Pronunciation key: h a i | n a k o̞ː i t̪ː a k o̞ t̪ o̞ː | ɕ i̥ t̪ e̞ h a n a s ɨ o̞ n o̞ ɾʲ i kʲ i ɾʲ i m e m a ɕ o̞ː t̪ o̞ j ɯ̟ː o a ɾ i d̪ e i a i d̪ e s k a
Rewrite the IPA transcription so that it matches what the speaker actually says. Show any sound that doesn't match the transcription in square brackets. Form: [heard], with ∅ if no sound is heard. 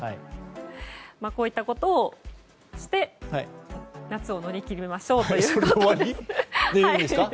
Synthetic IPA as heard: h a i | [m] a k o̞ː i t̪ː a k o̞ t̪ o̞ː | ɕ i̥ t̪ e̞ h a n a [t͡s] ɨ o̞ n o̞ ɾʲ i kʲ i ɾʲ i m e m a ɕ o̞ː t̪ o̞ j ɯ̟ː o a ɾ i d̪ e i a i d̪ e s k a